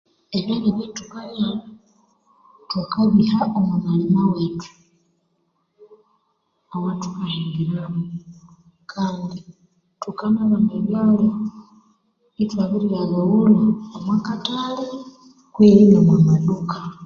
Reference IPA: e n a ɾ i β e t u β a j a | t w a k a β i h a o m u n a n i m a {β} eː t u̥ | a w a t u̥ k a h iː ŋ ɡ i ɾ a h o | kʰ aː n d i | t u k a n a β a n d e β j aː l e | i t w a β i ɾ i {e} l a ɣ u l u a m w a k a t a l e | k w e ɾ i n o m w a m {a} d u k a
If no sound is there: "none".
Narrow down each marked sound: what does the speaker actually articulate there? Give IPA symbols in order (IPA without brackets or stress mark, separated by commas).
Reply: w, a, a